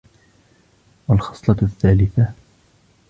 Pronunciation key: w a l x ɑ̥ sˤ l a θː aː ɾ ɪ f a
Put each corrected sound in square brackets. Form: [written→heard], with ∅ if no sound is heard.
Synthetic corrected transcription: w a l x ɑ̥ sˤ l [a→ɑ] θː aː [ɾ→l] ɪ [f→θ] a